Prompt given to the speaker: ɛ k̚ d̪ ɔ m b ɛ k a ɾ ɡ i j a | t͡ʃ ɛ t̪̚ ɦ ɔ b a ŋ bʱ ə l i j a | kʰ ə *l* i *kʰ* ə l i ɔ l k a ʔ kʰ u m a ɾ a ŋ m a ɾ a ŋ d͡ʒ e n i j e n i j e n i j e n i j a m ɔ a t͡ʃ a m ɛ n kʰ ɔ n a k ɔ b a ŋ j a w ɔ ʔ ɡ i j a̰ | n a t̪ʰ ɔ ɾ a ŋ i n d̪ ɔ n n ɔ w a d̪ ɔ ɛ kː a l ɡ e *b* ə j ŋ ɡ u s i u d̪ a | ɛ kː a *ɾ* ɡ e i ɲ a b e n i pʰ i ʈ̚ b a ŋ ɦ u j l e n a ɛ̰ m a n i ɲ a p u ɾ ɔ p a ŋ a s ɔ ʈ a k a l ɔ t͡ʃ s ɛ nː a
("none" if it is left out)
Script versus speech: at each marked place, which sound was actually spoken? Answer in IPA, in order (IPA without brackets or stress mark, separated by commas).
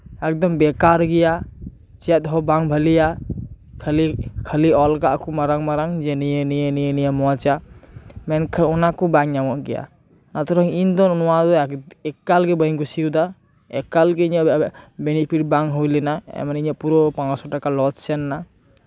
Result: l, kʰ, b, l